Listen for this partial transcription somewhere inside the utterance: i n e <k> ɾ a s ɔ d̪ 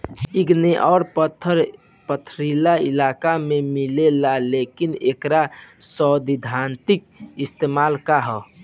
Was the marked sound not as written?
no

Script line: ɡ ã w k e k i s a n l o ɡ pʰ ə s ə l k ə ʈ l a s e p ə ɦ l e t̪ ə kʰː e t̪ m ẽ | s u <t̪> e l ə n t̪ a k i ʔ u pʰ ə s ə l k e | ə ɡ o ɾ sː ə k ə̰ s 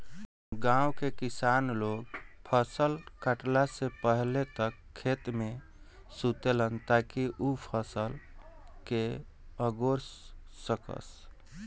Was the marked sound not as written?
no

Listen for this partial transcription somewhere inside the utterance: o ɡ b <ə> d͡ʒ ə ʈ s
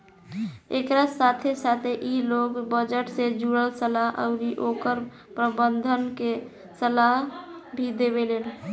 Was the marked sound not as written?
no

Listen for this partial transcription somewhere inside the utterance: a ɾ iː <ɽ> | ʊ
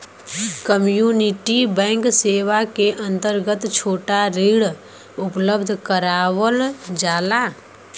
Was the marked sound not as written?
no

